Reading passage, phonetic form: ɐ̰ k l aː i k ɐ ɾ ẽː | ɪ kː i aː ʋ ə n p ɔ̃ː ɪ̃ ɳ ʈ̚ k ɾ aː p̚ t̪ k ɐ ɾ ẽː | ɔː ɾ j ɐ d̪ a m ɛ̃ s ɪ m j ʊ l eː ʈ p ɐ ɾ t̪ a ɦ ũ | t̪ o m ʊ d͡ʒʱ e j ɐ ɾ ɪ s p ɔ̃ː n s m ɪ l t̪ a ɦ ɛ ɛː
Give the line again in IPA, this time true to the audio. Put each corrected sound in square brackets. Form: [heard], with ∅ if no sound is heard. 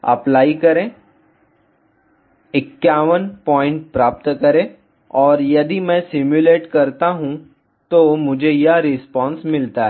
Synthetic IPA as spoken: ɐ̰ [p] l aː i k ɐ ɾ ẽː | ɪ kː [j] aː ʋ ə n p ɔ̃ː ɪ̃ ɳ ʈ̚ [p] ɾ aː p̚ t̪ k ɐ ɾ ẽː | ɔː ɾ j ɐ d̪ [i] m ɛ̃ s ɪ m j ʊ l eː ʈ [k] ɐ ɾ t̪ a ɦ ũ | t̪ o m ʊ d͡ʒʱ e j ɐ ɾ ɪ s p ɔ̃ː n s m ɪ l t̪ a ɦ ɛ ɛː